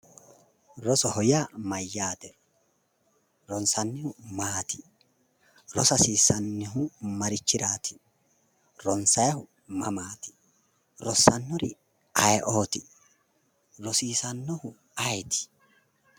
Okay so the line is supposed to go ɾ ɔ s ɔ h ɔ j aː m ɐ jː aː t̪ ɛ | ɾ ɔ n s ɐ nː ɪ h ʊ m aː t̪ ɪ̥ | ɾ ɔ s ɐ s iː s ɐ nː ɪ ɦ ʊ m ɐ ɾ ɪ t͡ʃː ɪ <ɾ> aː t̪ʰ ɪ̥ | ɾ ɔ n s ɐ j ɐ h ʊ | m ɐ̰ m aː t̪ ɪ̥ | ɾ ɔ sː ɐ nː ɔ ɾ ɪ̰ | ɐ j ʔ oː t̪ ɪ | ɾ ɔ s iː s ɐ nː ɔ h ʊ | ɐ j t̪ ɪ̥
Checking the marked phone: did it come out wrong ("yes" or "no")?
no